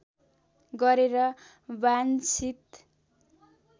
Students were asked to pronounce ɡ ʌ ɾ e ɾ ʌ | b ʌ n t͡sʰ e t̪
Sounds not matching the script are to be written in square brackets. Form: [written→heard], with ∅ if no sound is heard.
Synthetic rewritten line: ɡ ʌ ɾ e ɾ ʌ | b [ʌ→a] n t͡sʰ [e→i] t̪